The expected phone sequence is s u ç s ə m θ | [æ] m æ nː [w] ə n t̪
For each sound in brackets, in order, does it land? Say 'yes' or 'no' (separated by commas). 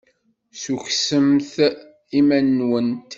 no, yes